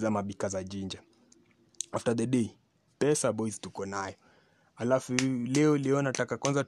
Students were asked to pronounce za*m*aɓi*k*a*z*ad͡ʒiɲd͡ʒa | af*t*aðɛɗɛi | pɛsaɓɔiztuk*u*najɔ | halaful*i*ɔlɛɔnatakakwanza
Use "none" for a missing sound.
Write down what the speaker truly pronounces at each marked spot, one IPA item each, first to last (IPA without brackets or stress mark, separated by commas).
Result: m, k, z, t, ɔ, ɛ